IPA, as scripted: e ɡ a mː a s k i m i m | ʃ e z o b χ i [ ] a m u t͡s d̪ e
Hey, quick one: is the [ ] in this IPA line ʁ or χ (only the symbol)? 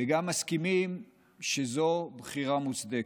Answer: ʁ